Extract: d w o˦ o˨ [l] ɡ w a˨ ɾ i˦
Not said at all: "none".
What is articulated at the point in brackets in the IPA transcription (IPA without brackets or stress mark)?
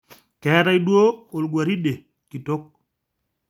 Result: l